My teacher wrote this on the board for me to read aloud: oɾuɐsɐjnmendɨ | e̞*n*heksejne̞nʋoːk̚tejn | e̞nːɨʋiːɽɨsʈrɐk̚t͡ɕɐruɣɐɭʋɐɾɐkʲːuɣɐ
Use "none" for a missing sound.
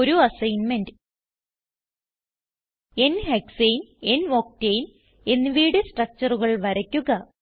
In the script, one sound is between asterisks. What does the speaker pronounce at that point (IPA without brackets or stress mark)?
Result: n